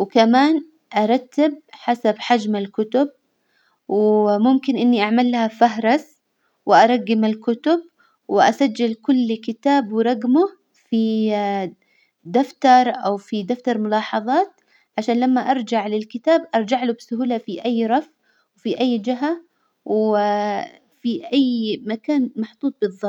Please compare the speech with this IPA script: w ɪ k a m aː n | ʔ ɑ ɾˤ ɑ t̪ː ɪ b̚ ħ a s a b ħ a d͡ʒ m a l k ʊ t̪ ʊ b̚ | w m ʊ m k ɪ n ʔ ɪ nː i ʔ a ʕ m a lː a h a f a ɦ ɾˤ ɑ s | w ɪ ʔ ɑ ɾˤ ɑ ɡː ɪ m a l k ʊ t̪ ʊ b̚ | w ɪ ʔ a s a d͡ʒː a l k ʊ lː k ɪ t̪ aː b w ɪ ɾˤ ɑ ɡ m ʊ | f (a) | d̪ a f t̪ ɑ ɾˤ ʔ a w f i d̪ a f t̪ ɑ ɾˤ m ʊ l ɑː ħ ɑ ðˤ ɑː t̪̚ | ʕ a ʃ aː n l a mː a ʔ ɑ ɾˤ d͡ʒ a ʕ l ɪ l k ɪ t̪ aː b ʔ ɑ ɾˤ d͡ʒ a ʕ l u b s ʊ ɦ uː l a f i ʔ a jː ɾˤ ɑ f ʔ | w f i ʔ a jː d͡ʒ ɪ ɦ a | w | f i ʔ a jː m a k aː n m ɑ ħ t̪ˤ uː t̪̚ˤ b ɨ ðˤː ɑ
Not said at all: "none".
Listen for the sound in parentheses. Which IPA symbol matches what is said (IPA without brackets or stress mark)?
i